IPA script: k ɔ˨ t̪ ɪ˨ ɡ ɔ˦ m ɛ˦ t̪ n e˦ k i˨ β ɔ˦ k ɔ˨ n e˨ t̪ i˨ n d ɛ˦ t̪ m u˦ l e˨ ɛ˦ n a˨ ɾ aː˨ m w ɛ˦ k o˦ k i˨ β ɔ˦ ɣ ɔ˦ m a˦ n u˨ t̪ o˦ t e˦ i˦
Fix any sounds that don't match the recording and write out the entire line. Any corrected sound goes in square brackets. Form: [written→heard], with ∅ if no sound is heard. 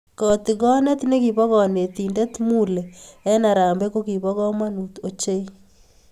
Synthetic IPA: k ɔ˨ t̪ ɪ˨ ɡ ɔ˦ [m→n] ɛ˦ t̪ n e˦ k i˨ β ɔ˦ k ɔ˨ n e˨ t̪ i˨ n d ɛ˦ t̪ m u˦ l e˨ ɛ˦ n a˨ ɾ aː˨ m [w→b] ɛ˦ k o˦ k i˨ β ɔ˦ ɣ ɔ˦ m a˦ n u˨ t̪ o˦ [t→t͡ʃ] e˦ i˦